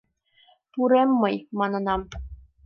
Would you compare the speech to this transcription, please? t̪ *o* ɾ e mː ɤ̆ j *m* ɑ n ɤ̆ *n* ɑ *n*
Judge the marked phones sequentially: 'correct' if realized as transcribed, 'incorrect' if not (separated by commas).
incorrect, correct, correct, incorrect